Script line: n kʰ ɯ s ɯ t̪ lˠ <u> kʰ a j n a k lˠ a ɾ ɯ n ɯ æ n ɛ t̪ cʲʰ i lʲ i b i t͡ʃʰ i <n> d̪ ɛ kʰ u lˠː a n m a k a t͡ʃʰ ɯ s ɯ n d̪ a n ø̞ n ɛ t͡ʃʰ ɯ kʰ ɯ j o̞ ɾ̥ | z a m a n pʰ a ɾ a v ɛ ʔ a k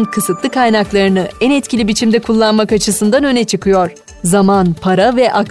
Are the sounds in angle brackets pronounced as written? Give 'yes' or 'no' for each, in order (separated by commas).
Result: no, no